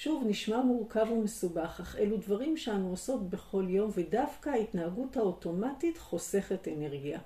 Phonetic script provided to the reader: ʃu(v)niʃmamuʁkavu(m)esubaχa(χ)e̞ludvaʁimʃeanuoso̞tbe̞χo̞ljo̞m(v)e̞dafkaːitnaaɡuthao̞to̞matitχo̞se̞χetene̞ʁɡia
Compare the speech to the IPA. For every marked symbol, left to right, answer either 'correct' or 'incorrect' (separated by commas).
correct, correct, correct, correct